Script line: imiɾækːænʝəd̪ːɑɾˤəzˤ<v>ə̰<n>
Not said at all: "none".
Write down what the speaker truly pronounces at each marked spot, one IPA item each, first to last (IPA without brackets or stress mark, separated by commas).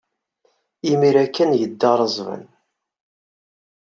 v, n